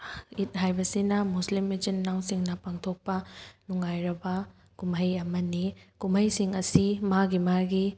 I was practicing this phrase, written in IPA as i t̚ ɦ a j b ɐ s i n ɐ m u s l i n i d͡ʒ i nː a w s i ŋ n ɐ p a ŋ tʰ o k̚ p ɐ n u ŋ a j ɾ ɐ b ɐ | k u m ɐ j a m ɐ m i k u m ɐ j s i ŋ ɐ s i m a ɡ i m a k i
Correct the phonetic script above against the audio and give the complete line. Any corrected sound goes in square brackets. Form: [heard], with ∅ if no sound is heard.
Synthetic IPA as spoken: i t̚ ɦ a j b ɐ s i n ɐ m u s l i [m] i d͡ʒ i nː a w s i ŋ n ɐ p a ŋ tʰ o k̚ p ɐ n u ŋ a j ɾ ɐ b ɐ | k u m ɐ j [ɐ] m ɐ [n] i k u m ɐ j s i ŋ ɐ s i m a ɡ i m a [ɡ] i